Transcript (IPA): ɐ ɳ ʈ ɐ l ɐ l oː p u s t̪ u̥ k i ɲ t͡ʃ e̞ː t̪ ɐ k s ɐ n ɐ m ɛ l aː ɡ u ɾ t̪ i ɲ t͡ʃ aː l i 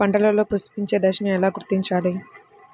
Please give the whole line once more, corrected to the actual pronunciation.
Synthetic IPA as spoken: ɐ ɳ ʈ ɐ l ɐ l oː p u s t̪ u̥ p i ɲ t͡ʃ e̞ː d̪ ɐ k ʂ ɐ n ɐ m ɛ l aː ɡ u ɾ t̪ i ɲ t͡ʃ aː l i